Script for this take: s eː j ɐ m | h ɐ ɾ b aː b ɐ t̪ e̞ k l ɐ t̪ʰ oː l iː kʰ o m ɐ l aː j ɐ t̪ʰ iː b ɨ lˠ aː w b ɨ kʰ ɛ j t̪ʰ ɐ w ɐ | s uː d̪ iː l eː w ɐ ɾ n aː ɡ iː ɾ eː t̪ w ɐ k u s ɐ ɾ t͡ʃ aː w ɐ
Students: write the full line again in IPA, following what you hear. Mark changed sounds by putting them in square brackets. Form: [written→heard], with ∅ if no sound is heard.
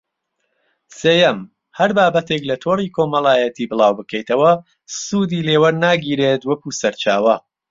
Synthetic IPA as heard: s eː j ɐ m | h ɐ ɾ b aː b ɐ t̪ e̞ k l ɐ t̪ʰ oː [l→r] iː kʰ o m ɐ l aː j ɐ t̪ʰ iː b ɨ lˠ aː w b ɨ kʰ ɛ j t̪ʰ ɐ w ɐ | s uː d̪ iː l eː w ɐ ɾ n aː ɡ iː ɾ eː t̪ w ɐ k u s ɐ ɾ t͡ʃ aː w ɐ